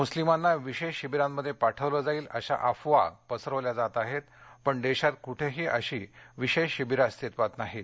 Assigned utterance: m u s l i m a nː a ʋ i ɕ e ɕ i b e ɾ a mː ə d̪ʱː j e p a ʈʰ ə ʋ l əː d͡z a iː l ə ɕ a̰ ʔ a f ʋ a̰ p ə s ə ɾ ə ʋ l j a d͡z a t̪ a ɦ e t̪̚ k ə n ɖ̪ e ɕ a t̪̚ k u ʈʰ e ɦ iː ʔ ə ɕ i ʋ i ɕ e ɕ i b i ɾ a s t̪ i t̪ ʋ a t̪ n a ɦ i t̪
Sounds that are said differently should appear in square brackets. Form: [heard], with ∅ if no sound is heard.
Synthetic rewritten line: m u s l i m a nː a ʋ i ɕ e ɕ i b [i] ɾ a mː ə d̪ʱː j e p a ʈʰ ə ʋ l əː d͡z a iː l ə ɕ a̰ ʔ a f ʋ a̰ p ə s ə ɾ ə ʋ l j a d͡z a t̪ a ɦ e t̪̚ [p] ə [ɳ] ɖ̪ e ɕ a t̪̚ k u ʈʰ e ɦ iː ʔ ə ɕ i ʋ i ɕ e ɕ i b i ɾ a s t̪ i t̪ ʋ a t̪ n a ɦ i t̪